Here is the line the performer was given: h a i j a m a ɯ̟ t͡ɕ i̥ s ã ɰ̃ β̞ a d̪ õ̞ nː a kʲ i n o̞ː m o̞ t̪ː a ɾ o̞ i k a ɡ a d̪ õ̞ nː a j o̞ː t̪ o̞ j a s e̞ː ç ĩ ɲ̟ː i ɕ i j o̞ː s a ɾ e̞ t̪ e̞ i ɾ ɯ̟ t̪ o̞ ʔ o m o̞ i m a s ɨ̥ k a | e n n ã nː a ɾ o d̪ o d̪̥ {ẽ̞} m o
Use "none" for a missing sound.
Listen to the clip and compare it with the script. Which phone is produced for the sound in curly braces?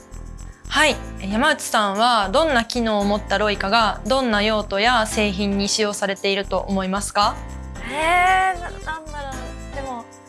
e̞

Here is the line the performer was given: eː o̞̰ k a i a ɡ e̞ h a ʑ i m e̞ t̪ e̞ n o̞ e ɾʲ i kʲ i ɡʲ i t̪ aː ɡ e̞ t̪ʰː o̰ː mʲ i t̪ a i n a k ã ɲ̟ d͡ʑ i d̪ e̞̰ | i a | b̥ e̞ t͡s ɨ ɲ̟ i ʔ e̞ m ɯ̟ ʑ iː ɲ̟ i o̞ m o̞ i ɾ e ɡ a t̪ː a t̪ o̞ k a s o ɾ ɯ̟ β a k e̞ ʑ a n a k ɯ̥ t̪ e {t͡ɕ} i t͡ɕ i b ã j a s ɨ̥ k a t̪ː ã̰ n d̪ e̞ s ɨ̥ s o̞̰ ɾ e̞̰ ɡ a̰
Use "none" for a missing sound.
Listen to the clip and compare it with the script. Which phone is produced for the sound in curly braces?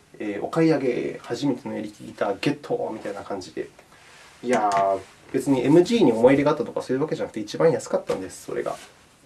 none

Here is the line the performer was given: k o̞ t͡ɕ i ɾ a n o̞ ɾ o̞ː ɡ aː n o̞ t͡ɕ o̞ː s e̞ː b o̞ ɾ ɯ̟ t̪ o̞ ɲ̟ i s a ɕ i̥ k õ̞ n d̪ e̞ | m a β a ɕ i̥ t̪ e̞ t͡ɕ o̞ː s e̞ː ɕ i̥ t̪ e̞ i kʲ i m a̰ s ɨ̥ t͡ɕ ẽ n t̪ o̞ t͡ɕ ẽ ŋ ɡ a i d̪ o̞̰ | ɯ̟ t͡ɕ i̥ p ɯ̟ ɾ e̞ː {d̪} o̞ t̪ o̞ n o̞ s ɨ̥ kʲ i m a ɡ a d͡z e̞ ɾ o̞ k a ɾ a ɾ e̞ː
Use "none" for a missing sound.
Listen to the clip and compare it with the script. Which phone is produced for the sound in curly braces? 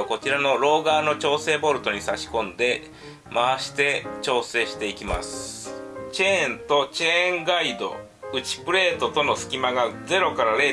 t̪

